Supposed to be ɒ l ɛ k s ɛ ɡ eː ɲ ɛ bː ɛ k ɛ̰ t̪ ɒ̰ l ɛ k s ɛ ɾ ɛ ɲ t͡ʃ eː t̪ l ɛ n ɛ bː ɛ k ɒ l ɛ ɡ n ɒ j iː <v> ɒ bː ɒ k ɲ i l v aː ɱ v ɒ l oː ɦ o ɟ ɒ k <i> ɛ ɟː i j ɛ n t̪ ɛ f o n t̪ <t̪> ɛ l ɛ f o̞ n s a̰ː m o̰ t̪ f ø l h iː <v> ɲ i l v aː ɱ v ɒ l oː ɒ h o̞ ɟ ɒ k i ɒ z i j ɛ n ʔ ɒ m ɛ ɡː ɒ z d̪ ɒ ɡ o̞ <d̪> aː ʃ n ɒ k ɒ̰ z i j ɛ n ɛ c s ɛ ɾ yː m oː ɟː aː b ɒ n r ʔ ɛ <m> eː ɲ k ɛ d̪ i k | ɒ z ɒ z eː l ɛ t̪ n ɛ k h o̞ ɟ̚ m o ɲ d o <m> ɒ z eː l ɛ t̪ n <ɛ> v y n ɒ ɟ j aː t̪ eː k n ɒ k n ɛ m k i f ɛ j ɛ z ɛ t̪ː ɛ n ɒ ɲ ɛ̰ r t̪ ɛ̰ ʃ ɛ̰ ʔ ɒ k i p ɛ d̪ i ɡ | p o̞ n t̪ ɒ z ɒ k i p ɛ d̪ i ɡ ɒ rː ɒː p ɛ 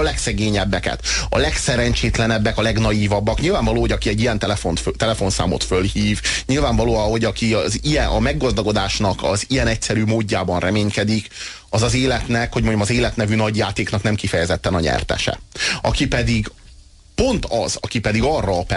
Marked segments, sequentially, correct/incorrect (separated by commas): correct, correct, correct, correct, correct, correct, correct, correct